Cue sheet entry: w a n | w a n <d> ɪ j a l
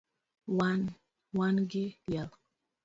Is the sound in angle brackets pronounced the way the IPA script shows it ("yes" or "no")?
no